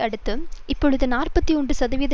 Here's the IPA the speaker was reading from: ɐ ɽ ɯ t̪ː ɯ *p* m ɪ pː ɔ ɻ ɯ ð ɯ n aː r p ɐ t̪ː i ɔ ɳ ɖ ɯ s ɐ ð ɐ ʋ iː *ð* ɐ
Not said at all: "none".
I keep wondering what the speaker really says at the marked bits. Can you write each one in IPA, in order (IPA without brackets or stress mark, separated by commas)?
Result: none, ð